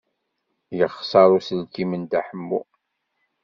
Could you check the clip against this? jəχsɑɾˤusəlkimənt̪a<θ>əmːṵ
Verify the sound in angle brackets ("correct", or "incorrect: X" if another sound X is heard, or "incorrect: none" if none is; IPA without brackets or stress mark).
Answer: incorrect: ħ